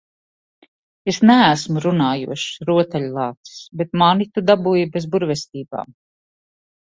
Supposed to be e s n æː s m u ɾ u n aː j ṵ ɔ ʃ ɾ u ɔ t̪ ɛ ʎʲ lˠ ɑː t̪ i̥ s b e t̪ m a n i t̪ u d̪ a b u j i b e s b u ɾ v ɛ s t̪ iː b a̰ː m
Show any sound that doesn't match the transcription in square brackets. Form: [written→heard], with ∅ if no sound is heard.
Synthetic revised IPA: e s n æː s m u ɾ u n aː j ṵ ɔ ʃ ɾ u ɔ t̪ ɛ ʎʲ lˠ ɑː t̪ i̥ s b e t̪ m a n i t̪ u d̪ a b u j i b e [s→z] b u ɾ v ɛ s t̪ iː b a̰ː m